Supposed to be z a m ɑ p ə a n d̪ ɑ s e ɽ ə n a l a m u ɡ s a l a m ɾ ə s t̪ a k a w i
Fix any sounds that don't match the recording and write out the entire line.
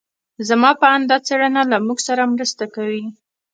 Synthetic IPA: z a m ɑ p ə a n d̪ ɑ t͡s e ɽ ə n a l a m u ɡ s a ɾ a m ɾ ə s t̪ a k a w i